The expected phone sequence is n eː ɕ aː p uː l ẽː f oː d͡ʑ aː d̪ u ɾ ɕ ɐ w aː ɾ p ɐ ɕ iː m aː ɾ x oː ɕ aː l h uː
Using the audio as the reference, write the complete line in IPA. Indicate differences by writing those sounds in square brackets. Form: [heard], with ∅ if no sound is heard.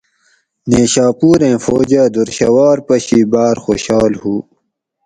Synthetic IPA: n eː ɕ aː p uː [ɾ] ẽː f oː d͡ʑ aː d̪ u ɾ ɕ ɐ w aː ɾ p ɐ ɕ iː [b] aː ɾ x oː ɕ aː l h uː